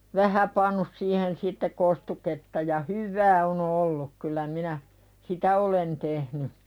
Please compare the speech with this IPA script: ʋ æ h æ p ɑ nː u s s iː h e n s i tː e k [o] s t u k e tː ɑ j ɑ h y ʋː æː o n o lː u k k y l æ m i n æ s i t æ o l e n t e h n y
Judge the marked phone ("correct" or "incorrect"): correct